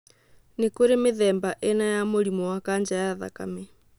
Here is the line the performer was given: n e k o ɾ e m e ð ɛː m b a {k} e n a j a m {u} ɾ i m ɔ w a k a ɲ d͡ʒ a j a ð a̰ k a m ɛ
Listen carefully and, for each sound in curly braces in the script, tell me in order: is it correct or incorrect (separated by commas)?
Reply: incorrect, incorrect